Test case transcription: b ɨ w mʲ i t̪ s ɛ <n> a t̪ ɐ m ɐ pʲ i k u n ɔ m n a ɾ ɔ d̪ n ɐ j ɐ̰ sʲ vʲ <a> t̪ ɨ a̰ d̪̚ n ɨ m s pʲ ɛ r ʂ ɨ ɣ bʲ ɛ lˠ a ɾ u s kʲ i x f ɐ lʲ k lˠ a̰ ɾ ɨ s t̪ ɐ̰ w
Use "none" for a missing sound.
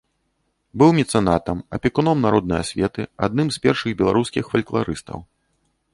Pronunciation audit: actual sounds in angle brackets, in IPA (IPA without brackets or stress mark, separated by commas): n, ɛ